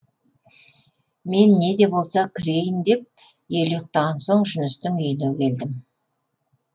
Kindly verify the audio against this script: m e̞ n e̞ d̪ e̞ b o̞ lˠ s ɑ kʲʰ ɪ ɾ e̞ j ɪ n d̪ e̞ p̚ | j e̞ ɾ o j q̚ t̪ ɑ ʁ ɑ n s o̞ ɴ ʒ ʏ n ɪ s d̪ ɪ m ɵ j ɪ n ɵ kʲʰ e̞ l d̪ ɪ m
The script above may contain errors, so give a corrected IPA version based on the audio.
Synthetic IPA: m e̞ nː e̞ d̪ e̞ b o̞ lˠ s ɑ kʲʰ ɪ ɾ e̞ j ɪ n d̪ e̞ p̚ | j e̞ l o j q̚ t̪ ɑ ʁ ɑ n s o̞ ɴ ʒ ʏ n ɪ s t̪ ɪ ŋ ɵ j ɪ n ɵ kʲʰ e̞ l d̪ ɪ m